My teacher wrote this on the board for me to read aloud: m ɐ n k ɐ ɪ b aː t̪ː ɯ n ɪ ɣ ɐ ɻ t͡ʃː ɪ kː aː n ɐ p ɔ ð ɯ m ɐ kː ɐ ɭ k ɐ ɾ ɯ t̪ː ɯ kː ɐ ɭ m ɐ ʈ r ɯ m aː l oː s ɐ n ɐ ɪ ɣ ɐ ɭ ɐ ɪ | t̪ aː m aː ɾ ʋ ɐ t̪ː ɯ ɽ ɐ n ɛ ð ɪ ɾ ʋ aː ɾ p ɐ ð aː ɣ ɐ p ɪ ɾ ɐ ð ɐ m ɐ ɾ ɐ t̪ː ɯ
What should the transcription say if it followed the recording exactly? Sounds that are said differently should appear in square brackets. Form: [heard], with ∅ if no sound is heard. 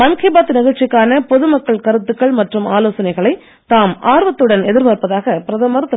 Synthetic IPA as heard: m ɐ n k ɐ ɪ b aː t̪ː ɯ n ɪ ɣ ɐ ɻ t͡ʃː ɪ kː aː n ɐ p ɔ ð ɯ m ɐ kː ɐ ɭ k ɐ ɾ ɯ t̪ː ɯ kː ɐ ɭ m ɐ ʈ r ɯ m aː l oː s ɐ n ɐ ɪ ɣ ɐ ɭ ɐ ɪ | t̪ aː m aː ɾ ʋ ɐ t̪ː ɯ ɽ ɐ n ɛ ð ɪ ɾ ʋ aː ɾ p ɐ ð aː ɣ ɐ p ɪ ɾ ɐ ð ɐ m ɐ ɾ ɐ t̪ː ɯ